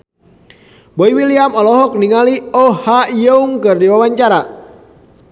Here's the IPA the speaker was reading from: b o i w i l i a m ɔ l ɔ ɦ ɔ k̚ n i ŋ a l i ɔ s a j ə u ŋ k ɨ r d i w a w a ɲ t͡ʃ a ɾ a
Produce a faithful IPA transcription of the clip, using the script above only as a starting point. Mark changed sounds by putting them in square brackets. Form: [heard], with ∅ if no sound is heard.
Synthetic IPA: b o i w i l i a m ɔ l ɔ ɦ ɔ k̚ n i ŋ a l i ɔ [h] a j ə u ŋ k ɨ r d i w a w a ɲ t͡ʃ a ɾ a